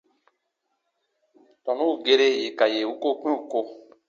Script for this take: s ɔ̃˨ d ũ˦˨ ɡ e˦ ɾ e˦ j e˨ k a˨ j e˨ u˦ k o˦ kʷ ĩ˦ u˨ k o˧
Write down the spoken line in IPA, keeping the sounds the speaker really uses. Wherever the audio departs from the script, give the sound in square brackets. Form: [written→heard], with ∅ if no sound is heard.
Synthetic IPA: [s→t] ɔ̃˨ [d→n] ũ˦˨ ɡ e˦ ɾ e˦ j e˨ k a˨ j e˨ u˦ k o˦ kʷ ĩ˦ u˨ k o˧